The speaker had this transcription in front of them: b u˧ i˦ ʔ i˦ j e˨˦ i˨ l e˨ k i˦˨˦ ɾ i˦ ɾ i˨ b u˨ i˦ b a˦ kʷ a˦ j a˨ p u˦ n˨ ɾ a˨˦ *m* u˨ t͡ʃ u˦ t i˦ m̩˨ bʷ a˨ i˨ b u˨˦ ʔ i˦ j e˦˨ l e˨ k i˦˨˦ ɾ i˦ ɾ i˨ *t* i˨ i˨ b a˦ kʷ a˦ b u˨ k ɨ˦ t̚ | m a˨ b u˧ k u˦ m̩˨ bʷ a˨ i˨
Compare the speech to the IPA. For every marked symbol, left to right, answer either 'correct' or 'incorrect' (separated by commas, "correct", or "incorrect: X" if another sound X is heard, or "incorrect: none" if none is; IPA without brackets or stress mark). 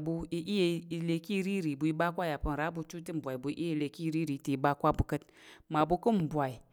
incorrect: b, correct